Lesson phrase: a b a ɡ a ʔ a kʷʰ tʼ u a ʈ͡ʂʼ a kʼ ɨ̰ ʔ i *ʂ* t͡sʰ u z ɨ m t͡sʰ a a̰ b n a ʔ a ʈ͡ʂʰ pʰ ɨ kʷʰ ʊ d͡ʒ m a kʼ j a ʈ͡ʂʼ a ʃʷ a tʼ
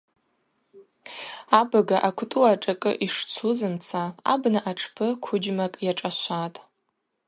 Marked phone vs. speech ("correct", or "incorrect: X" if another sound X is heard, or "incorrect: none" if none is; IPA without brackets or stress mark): correct